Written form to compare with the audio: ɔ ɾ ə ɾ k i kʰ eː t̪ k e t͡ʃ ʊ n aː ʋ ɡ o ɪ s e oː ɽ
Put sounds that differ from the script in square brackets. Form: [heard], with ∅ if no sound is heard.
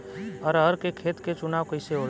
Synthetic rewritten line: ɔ ɾ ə ɾ k [e] kʰ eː t̪ k e t͡ʃ ʊ n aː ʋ [k] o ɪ s e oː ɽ